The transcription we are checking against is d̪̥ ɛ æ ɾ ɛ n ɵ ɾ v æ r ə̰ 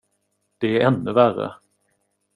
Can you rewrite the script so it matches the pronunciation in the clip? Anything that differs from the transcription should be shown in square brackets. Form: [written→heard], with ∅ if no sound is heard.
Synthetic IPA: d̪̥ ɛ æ ɾ ɛ [n→nː] ɵ [ɾ→∅] v æ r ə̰